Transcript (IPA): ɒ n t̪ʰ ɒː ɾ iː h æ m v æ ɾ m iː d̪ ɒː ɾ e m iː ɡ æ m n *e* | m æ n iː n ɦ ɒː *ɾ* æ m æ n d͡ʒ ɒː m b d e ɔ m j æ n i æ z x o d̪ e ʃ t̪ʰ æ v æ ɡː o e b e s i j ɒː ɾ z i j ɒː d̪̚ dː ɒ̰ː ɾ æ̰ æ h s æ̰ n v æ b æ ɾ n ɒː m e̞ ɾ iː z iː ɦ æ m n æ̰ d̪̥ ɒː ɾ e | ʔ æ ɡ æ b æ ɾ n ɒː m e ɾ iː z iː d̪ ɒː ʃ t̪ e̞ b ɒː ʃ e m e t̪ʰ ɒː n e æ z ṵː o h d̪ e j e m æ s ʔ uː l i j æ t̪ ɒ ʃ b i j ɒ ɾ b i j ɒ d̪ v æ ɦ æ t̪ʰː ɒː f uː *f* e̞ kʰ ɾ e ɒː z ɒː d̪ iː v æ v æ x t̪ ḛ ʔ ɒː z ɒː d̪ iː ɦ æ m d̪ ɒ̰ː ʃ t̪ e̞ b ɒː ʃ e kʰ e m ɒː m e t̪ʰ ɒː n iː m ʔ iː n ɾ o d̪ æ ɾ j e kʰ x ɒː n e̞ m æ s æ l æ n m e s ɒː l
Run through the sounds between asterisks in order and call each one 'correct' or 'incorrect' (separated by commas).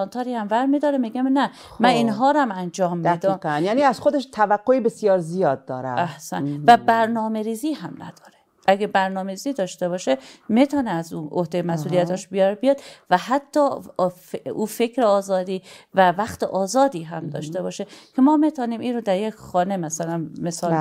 incorrect, correct, correct